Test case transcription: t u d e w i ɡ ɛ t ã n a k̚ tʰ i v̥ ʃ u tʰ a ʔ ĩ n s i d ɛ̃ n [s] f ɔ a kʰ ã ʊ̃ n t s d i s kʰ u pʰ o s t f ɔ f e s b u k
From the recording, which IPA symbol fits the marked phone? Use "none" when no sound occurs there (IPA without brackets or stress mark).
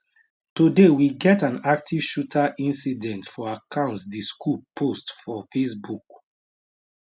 t